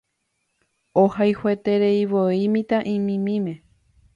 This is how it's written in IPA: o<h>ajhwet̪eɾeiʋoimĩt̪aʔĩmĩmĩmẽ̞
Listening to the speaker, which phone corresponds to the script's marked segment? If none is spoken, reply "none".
h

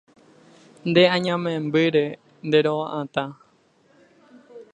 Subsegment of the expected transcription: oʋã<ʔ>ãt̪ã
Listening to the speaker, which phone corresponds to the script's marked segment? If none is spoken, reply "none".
ʔ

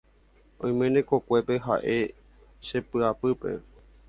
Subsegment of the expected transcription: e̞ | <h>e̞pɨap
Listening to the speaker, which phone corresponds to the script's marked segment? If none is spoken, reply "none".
ʃ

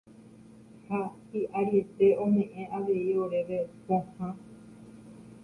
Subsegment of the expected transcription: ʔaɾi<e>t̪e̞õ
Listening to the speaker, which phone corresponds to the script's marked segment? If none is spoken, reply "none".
e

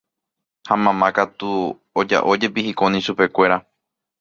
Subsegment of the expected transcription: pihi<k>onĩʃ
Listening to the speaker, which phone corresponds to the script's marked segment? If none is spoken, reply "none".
k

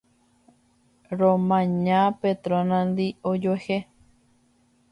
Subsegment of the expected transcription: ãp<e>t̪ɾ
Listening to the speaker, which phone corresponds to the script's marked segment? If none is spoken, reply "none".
e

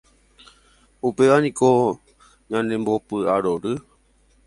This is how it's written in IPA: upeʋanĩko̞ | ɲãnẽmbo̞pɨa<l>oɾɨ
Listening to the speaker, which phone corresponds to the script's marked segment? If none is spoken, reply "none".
ɾ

